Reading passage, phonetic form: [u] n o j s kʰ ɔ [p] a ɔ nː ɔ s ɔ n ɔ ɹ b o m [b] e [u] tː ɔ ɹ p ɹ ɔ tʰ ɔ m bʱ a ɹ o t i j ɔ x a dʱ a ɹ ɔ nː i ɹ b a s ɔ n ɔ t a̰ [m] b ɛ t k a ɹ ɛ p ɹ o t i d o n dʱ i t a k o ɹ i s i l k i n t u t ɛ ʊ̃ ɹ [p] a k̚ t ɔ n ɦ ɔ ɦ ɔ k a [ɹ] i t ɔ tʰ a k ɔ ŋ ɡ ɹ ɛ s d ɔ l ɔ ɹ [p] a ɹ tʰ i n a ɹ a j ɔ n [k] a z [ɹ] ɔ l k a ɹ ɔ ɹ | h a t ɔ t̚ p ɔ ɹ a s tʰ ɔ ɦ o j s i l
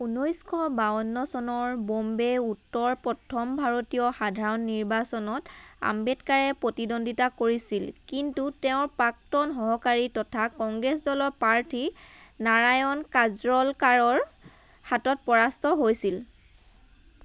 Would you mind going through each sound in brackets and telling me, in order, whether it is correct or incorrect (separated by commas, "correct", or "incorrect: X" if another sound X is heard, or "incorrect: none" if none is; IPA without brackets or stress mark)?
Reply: correct, incorrect: b, correct, correct, correct, correct, correct, correct, correct, correct